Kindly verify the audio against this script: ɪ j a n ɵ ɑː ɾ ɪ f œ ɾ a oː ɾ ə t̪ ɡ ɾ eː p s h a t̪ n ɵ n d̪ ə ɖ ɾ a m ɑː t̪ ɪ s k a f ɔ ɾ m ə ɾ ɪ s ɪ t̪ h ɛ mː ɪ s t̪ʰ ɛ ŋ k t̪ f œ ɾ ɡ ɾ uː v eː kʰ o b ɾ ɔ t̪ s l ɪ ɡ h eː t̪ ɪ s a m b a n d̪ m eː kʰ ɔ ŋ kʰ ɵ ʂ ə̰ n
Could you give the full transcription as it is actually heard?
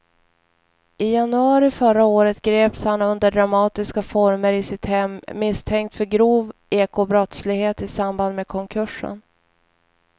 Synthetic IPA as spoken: ɪ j a n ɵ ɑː ɾ ɪ f œ ɾ a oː ɾ ə t̪ ɡ ɾ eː p s h a n ɵ n d̪ ə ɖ ɾ a m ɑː t̪ ɪ s k a f ɔ ɾ m ə ɾ ɪ s ɪ t̪ h ɛ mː ɪ s t̪ʰ ɛ ŋ k t̪ f œ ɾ ɡ ɾ uː v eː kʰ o b ɾ ɔ t̪ s l ɪ ɡ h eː t̪ ɪ s a m b a n d̪ m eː kʰ ɔ ŋ kʰ ɵ ʂ ə̰ n